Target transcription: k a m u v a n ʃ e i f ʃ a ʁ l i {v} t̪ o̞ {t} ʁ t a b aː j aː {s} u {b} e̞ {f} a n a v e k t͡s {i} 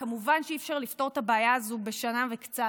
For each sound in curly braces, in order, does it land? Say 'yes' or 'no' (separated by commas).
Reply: no, no, no, yes, no, no